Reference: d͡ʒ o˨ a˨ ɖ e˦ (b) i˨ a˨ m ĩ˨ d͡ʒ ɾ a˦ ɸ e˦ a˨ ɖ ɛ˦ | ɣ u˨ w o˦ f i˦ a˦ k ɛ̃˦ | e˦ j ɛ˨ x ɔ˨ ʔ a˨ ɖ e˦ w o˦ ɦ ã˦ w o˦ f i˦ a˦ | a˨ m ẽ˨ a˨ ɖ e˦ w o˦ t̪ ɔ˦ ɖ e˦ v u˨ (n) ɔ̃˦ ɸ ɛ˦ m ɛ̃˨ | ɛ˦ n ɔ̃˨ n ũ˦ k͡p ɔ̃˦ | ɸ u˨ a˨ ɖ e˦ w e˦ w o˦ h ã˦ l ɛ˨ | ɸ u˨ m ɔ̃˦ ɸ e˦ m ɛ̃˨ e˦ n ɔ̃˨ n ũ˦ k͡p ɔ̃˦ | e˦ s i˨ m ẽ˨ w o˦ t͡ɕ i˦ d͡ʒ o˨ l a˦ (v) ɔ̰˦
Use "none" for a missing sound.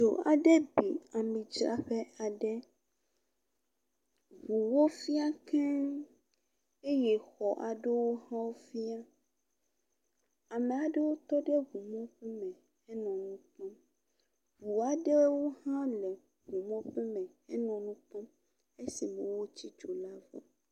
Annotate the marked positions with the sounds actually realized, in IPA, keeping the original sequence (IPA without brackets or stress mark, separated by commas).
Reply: b, m, v